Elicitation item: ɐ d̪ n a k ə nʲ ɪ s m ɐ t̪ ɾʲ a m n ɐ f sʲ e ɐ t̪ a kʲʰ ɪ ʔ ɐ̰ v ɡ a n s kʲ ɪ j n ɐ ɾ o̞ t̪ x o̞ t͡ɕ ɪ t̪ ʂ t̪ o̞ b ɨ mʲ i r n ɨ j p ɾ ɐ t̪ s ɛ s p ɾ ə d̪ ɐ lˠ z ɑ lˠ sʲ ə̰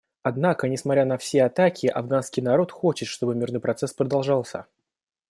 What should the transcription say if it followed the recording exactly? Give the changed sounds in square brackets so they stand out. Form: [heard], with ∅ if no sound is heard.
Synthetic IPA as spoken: ɐ d̪ n a k ə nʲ ɪ s m ɐ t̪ ɾʲ a [∅] n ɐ f sʲ e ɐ t̪ a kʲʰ ɪ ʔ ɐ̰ v ɡ a n s kʲ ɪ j n ɐ ɾ o̞ t̪ x o̞ t͡ɕ ɪ t̪ ʂ t̪ o̞ b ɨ mʲ i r n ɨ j p ɾ ɐ t̪ s ɛ s p ɾ ə d̪ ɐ lˠ [ʐ] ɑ lˠ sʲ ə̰